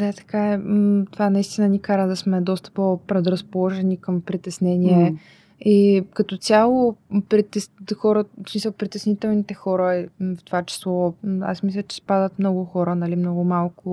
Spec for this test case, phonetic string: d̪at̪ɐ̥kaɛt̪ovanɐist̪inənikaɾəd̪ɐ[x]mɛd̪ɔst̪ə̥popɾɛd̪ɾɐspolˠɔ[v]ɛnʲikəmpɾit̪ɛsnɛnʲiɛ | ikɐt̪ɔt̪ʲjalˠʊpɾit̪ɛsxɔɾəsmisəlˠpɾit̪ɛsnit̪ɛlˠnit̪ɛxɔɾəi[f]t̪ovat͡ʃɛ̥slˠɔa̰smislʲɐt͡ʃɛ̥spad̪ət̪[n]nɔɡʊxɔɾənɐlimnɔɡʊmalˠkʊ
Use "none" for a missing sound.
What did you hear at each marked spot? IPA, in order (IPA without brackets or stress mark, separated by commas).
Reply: s, ʒ, f, m